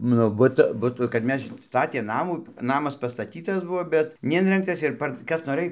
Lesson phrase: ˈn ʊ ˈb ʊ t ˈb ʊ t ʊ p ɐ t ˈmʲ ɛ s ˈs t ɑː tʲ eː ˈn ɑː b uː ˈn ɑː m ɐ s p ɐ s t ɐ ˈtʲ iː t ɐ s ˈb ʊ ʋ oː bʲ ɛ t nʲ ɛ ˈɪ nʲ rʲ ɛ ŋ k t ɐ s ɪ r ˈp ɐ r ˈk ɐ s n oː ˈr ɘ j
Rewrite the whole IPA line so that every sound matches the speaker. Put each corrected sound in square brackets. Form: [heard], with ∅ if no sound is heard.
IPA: ˈn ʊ ˈb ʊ t ˈb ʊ t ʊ [k] ɐ t ˈmʲ ɛ s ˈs t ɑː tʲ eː ˈn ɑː [m] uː ˈn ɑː m ɐ s p ɐ s t ɐ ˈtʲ iː t ɐ s ˈb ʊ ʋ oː bʲ ɛ t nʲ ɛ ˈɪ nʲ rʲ ɛ ŋ k t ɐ s ɪ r ˈp ɐ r ˈk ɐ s n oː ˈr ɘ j